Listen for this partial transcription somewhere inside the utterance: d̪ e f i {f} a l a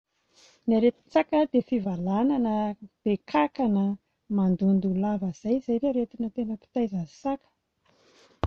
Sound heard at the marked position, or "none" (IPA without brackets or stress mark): v